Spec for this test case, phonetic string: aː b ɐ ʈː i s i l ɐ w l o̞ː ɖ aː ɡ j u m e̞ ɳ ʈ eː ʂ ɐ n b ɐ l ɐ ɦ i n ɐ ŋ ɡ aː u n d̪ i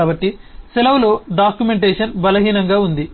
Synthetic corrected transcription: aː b ɐ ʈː i s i l ɐ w l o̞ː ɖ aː k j u m e̞ ɳ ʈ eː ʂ ɐ n b ɐ l ɐ ɦ iː n ɐ ŋ ɡ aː u n d̪ i

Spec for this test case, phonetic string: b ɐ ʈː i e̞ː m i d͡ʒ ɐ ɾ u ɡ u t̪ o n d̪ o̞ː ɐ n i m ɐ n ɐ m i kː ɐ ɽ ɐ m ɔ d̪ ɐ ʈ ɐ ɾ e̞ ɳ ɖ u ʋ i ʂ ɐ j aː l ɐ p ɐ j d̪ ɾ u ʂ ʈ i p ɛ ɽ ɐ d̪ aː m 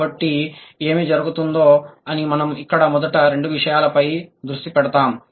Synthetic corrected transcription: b ɐ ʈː i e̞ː m i d͡ʒ ɐ ɾ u ɡ u t̪ u n d̪ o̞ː ɐ n i m ɐ n ɐ m i kː ɐ ɽ ɐ m ɔ d̪ ɐ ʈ ɐ ɾ e̞ ɳ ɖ u ʋ i ʂ ɐ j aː l ɐ p ɐ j d̪ ɾ u ʂ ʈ i p ɛ ɽ ɐ t̪ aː m

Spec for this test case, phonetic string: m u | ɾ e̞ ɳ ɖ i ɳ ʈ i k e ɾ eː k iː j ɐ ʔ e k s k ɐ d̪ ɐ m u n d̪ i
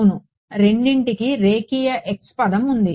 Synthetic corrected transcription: n u | ɾ e̞ ɳ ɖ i ɳ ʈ i k i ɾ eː k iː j ɐ ʔ e k s p ɐ d̪ ɐ m u n d̪ i

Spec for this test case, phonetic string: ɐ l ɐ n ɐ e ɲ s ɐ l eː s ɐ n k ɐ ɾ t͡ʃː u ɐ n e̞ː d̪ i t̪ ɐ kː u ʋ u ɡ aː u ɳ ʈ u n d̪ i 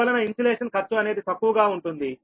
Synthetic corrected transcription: ɐ l ɐ n ɐ i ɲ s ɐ l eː ʂ ɐ n k ɐ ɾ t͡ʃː u ɐ n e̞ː d̪ i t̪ ɐ kː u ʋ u ɡ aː u ɳ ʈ u n d̪ i

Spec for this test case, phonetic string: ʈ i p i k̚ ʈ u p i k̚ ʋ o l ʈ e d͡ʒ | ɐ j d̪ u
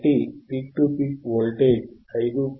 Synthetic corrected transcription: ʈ i p i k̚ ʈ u p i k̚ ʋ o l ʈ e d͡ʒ | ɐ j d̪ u

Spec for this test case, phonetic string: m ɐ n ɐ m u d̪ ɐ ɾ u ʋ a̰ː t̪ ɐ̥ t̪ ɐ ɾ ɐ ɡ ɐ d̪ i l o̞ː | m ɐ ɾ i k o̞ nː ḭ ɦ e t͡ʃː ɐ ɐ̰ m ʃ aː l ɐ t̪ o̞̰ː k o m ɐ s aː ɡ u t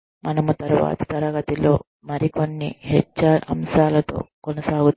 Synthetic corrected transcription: m ɐ n ɐ m u t̪ ɐ ɾ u ʋ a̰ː t̪ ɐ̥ t̪ ɐ ɾ ɐ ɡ ɐ t̪ i l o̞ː | m ɐ ɾ i k o̞ nː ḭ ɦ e t͡ʃː ɐ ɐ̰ m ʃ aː l ɐ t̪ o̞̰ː k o n ɐ s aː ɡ u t

